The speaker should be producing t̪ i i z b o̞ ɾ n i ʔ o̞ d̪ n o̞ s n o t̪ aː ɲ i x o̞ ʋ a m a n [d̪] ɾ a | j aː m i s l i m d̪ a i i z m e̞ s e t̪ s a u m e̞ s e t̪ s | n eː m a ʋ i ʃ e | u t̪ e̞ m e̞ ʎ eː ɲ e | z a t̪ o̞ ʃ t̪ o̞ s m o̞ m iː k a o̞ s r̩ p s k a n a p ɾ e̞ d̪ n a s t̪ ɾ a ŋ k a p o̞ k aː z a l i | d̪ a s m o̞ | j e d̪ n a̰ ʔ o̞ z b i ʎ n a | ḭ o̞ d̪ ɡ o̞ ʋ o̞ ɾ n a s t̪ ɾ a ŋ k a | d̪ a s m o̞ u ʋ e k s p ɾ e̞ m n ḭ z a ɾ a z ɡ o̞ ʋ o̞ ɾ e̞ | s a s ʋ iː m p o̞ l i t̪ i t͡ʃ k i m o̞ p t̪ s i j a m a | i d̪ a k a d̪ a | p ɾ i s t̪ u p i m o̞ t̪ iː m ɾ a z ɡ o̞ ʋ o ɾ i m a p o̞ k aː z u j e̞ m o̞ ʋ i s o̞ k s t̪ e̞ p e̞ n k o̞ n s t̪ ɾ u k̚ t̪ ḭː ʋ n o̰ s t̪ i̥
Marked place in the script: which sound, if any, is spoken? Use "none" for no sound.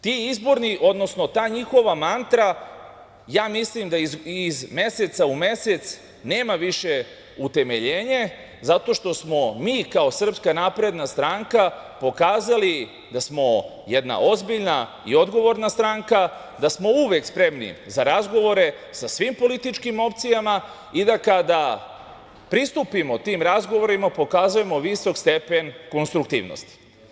t̪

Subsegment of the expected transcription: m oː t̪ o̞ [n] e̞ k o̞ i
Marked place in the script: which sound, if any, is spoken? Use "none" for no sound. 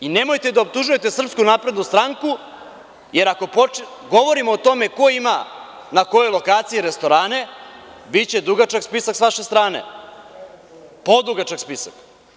m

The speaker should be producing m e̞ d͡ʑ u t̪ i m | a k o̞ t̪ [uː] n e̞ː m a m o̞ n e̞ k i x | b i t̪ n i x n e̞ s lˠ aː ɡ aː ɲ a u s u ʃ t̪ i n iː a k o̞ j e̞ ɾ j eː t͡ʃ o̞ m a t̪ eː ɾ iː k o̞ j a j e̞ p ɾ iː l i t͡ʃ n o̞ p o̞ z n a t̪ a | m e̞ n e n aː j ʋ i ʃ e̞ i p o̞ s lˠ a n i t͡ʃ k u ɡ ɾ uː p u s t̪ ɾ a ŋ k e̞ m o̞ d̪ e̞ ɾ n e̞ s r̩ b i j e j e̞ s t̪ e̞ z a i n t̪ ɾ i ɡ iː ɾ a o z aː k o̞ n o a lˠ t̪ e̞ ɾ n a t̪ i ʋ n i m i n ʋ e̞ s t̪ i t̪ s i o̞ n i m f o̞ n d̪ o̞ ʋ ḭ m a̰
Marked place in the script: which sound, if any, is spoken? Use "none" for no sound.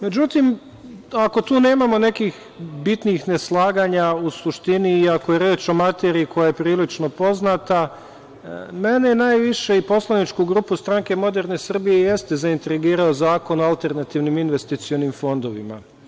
uː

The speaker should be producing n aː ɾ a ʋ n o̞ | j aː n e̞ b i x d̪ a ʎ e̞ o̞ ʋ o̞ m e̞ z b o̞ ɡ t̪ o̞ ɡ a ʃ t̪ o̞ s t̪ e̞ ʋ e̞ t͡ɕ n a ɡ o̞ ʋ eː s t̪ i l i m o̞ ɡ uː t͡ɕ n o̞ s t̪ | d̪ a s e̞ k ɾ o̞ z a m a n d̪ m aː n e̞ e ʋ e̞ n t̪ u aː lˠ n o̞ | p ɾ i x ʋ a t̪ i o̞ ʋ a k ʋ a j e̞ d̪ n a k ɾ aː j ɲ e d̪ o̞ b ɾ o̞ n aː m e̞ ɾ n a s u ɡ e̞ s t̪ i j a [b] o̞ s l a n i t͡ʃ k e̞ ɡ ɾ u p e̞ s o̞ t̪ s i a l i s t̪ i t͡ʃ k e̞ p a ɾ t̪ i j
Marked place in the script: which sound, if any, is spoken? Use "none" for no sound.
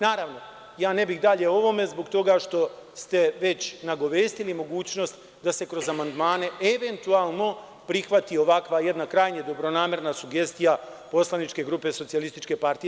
p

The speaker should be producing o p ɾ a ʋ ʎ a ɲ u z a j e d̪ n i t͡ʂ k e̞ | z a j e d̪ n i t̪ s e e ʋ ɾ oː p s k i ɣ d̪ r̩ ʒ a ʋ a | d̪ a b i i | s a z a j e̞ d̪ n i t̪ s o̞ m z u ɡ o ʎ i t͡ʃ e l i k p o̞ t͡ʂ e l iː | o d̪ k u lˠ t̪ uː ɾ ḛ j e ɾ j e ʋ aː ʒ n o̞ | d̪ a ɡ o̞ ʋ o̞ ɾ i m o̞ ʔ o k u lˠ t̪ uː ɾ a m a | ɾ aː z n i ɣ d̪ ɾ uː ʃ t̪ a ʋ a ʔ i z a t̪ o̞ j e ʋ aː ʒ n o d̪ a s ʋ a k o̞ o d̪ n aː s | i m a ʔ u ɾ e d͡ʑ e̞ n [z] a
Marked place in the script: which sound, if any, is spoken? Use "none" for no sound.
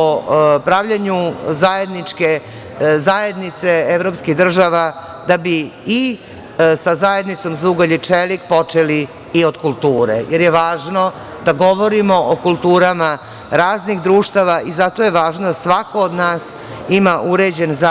z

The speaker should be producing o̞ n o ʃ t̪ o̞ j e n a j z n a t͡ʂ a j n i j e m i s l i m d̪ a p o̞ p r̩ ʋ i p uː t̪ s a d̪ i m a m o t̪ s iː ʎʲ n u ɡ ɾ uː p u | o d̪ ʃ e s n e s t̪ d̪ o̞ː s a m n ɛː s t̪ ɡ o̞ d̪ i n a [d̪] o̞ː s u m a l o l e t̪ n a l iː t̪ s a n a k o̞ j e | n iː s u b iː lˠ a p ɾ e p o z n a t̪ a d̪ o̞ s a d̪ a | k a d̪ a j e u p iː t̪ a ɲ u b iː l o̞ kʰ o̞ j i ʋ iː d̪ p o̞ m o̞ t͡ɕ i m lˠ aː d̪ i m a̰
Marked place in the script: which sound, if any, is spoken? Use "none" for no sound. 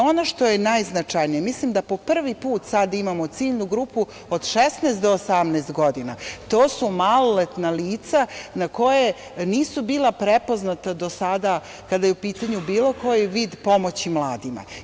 t̪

